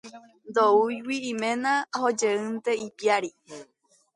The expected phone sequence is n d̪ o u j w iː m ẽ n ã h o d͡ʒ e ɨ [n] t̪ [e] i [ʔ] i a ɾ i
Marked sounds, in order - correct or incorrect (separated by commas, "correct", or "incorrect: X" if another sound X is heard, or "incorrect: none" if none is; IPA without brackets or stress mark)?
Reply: correct, correct, incorrect: p